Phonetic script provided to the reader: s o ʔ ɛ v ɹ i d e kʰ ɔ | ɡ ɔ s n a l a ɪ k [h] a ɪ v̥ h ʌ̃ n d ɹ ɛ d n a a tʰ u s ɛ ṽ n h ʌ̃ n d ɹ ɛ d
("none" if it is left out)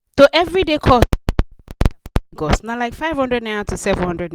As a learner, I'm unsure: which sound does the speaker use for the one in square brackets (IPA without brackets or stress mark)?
f